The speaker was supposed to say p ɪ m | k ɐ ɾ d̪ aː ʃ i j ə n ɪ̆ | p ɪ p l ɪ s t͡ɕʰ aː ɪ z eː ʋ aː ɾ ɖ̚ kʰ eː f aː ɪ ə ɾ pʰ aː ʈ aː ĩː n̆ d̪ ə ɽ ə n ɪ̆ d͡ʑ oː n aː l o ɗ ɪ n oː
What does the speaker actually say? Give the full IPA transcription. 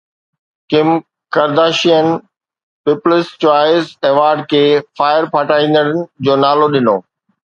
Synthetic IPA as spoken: k ɪ m | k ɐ ɾ d̪ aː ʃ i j ə n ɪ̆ | p ɪ p l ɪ s t͡ɕ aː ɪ z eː ʋ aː ɾ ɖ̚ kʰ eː f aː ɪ ə ɾ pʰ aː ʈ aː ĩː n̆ d̪ ə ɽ ə n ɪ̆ d͡ʑ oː n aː l o ɗ ɪ n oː